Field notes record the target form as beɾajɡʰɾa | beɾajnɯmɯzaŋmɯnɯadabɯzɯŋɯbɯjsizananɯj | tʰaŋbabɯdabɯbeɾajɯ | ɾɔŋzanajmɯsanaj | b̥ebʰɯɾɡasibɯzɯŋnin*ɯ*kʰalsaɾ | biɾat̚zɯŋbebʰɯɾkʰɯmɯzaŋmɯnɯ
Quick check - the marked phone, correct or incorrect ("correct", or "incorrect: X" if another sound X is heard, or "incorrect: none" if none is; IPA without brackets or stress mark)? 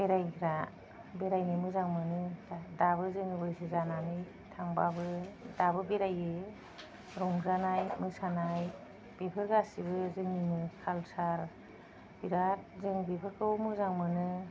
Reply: correct